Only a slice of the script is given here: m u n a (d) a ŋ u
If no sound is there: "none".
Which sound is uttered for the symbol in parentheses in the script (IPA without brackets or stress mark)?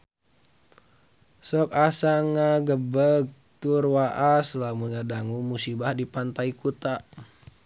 d